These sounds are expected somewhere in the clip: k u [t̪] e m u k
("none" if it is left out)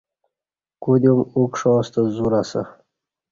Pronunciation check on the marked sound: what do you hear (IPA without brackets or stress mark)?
d̪